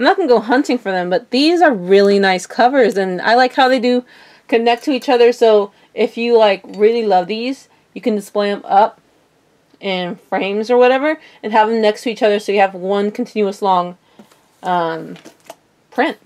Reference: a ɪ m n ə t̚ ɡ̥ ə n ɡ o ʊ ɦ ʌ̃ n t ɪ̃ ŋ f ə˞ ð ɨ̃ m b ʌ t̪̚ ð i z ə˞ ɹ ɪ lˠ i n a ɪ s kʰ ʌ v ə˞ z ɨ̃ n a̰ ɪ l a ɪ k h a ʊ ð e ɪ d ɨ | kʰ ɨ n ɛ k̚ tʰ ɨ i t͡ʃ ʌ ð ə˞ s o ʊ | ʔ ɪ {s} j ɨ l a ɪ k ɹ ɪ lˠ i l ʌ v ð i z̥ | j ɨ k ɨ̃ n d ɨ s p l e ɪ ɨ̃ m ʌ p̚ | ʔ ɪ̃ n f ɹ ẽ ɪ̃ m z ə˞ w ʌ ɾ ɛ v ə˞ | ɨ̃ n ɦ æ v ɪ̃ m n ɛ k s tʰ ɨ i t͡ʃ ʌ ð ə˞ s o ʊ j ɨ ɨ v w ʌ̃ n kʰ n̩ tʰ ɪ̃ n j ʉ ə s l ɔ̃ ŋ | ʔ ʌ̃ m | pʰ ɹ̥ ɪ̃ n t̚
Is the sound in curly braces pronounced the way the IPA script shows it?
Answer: no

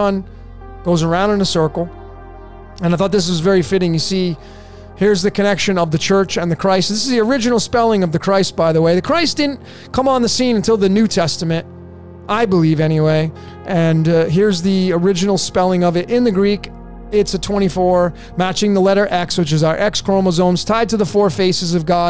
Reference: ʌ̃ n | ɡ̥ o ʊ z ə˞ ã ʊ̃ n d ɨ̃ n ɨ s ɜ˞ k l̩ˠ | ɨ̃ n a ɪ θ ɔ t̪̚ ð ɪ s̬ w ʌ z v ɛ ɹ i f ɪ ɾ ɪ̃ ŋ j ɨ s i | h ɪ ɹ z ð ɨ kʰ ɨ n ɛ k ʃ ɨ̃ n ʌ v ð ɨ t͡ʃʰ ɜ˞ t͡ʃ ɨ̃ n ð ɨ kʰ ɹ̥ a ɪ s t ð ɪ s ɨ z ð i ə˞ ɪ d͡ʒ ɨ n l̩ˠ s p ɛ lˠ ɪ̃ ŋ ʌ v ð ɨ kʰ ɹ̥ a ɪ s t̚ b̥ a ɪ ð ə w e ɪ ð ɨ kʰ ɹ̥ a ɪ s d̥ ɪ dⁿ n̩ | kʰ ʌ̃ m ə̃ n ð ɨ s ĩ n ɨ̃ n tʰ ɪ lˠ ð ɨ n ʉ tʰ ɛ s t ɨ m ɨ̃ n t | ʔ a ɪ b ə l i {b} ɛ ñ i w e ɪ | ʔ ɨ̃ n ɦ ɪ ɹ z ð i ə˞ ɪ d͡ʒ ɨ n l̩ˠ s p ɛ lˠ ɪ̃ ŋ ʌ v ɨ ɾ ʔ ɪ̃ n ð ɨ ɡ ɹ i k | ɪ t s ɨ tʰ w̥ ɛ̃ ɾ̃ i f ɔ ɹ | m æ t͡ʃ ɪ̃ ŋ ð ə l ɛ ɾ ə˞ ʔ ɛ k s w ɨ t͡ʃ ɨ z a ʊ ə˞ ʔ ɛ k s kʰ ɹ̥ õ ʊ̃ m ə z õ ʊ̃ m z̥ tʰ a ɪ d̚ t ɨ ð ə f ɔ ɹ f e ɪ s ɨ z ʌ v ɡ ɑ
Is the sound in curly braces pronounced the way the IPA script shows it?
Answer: no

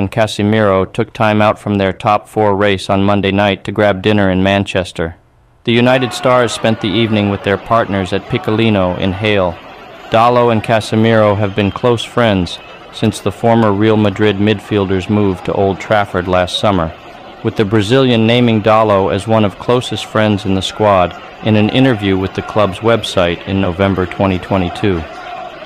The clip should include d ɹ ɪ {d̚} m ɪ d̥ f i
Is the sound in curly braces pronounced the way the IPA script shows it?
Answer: yes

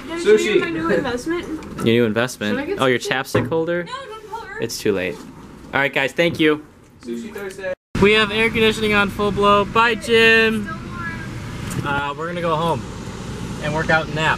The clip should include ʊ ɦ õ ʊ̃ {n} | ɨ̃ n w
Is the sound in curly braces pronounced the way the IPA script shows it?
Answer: no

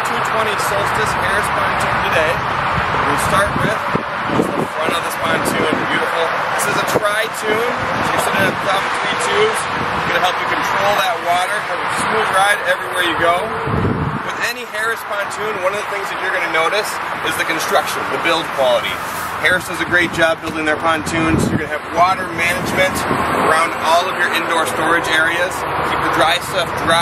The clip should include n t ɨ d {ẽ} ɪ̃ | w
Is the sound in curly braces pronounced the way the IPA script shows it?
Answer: no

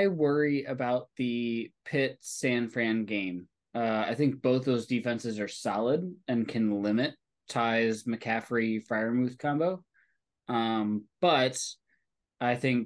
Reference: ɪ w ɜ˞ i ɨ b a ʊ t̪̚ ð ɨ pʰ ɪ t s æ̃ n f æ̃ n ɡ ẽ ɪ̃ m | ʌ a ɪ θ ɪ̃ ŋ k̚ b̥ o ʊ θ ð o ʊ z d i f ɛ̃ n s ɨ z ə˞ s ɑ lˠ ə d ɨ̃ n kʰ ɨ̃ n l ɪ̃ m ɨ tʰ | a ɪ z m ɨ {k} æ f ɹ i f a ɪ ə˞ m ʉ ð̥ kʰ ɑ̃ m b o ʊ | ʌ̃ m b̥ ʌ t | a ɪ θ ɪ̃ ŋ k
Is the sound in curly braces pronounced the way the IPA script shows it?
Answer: no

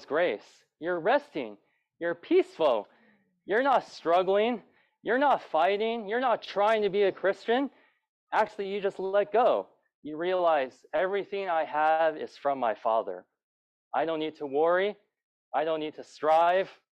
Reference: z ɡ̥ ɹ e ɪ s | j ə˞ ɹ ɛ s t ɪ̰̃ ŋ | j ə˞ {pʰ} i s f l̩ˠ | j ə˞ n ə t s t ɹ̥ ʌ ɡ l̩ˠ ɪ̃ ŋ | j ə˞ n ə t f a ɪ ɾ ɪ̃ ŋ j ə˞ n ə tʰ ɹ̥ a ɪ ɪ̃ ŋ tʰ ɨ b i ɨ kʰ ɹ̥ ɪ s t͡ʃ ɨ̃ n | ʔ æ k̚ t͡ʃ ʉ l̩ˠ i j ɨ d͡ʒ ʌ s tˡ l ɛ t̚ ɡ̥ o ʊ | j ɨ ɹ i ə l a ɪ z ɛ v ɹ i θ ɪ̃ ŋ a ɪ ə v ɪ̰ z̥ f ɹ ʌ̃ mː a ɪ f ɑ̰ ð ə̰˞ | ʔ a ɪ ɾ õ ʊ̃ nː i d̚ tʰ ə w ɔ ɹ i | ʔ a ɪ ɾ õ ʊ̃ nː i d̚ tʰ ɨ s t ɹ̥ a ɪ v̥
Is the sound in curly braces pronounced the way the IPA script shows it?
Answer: yes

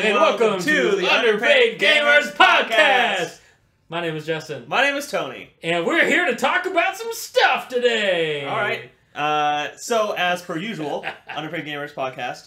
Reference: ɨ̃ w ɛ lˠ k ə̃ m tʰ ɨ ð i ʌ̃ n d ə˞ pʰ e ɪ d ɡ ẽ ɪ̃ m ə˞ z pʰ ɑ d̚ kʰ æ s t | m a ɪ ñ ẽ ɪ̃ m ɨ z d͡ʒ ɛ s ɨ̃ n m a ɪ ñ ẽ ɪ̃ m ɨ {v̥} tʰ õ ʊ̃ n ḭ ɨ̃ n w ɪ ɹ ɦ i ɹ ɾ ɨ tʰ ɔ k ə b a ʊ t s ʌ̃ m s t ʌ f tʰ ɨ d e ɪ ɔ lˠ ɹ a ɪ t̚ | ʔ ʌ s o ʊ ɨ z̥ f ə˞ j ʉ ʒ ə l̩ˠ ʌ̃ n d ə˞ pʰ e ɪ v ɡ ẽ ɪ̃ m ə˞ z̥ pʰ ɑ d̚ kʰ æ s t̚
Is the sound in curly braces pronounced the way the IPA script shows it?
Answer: no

